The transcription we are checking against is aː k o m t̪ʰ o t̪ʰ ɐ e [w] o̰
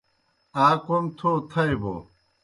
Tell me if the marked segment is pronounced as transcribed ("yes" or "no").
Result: no